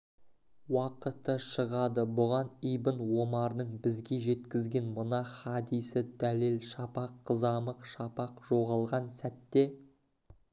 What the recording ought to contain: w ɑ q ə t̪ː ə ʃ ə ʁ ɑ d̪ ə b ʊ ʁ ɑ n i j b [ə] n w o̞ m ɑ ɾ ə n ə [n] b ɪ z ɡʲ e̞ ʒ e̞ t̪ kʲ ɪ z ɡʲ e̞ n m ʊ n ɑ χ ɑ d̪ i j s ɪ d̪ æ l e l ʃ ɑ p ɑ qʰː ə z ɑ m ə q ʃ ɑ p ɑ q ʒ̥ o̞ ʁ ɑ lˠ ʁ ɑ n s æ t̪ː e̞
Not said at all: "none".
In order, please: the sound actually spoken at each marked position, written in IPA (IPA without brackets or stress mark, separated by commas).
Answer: ə, ɴ